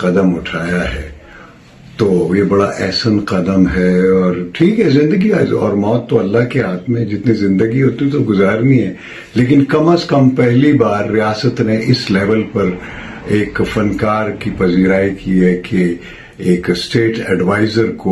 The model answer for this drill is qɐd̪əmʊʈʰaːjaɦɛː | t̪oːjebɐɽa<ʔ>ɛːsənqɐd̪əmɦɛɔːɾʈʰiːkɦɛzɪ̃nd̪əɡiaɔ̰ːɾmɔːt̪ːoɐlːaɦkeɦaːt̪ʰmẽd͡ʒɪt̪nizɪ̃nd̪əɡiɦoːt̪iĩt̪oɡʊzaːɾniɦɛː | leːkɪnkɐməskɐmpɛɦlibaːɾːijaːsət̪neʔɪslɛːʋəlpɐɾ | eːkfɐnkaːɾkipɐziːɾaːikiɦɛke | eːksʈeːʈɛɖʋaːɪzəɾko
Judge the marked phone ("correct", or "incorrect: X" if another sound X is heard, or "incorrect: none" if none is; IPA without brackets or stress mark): correct